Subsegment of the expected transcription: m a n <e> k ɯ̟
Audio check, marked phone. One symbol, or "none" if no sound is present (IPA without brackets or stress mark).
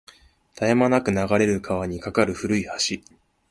a